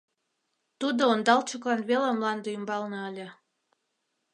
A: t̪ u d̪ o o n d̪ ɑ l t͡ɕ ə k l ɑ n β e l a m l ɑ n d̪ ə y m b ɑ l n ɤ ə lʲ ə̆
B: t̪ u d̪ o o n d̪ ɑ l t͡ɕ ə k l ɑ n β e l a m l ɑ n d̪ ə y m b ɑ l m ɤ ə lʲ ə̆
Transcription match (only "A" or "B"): A